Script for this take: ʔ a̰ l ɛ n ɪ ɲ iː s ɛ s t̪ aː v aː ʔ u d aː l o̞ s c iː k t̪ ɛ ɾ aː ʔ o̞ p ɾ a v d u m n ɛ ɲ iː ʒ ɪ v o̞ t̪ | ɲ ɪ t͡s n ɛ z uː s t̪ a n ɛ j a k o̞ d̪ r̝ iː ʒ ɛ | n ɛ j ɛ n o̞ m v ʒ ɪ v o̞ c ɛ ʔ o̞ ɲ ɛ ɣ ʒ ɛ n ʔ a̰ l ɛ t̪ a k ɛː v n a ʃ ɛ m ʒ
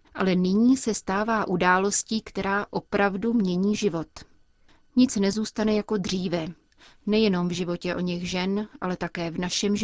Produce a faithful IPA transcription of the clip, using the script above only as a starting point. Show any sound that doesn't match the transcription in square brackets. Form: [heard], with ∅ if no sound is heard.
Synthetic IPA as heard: ʔ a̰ l ɛ n ɪ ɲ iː s ɛ s t̪ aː v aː ʔ u d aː l o̞ s c iː k t̪ ɛ ɾ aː ʔ o̞ p ɾ a v d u m [ɲ] ɛ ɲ iː ʒ ɪ v o̞ t̪ | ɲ ɪ t͡s n ɛ z uː s t̪ a n ɛ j a k o̞ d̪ r̝ iː [v] ɛ | n ɛ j ɛ n o̞ m v ʒ ɪ v o̞ c ɛ ʔ o̞ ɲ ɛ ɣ ʒ ɛ n ʔ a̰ l ɛ t̪ a k ɛː v n a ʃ ɛ m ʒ